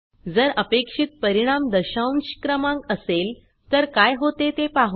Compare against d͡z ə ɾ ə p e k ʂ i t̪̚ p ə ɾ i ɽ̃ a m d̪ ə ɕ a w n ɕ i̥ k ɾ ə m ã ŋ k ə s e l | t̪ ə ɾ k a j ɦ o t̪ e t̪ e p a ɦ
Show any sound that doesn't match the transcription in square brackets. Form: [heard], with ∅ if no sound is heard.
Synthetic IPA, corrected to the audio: d͡z ə ɾ ə p e k ʂ i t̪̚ p ə ɾ i ɽ̃ a m d̪ ə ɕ a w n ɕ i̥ k ɾ ə m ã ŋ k ə s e l | t̪ ə ɾ k a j ɦ o t̪ e t̪ e p a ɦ